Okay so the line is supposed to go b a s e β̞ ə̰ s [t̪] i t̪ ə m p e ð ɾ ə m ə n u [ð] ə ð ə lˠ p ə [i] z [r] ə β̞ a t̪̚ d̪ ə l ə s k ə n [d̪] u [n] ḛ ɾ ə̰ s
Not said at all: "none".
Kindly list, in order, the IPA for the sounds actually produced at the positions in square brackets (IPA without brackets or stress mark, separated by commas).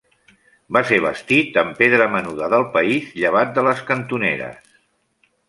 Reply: t̪, ð, i, ʎ, t̪, n